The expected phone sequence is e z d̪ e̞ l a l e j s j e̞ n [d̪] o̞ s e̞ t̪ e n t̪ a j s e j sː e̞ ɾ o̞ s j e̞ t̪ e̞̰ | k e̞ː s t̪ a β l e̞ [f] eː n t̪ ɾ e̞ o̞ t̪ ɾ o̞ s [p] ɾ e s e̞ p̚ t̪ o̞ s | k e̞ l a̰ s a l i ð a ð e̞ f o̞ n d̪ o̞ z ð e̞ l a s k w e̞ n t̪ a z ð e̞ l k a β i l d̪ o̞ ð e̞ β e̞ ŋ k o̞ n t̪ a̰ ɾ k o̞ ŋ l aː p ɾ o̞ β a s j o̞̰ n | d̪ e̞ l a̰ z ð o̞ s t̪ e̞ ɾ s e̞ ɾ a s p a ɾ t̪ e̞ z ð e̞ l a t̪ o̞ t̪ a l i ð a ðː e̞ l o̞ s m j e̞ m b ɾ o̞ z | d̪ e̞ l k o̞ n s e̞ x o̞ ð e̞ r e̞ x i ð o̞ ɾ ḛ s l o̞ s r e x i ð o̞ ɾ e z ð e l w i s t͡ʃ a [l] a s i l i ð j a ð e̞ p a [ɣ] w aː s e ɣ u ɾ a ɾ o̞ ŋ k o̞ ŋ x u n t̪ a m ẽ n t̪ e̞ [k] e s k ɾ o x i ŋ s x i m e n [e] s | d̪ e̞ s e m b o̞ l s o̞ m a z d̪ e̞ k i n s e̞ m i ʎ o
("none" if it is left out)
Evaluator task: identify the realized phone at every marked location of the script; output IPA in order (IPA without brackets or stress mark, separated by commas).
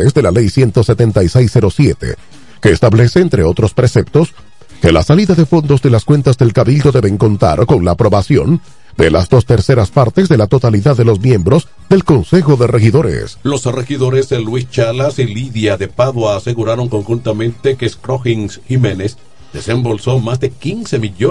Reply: t̪, s, p, l, ð, k, e